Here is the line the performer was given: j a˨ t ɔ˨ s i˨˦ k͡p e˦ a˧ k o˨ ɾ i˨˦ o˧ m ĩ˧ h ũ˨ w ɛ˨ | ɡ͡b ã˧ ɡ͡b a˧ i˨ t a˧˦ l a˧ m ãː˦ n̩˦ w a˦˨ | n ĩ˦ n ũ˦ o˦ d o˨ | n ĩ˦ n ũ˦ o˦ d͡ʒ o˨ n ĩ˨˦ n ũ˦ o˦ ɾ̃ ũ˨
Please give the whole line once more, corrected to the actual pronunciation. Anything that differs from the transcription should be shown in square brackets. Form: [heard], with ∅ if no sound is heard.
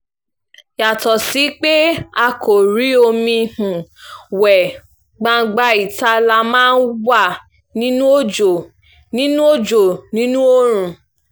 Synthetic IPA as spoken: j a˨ t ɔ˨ s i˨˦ k͡p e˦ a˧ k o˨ ɾ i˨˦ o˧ m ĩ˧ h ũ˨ w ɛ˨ | ɡ͡b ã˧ ɡ͡b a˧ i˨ t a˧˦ l a˧ m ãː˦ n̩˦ w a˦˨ | n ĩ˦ n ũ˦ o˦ [d͡ʒ] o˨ | n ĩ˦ n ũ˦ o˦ d͡ʒ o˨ n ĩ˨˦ n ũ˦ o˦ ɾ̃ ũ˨

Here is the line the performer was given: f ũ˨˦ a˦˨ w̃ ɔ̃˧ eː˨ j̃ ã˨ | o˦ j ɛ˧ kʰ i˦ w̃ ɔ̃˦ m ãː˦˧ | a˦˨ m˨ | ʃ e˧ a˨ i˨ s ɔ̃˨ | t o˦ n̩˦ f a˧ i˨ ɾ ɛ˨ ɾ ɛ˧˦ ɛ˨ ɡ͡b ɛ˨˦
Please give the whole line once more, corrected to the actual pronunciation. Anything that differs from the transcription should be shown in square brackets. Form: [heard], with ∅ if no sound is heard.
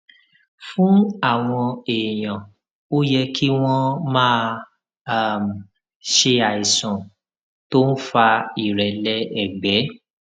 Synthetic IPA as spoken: f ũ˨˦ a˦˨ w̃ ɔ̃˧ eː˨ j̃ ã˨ | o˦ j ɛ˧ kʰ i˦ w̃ ɔ̃˦ m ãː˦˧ | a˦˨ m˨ | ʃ e˧ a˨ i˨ s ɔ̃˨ | t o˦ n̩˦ f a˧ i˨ ɾ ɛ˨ [l] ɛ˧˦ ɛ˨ ɡ͡b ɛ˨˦

